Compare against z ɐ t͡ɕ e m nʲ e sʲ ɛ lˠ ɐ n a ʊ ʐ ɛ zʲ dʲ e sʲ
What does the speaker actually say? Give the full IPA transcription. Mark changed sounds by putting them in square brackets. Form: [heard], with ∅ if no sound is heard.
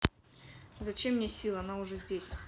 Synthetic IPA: z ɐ t͡ɕ e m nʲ e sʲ [i] lˠ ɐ n a ʊ ʐ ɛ zʲ dʲ e sʲ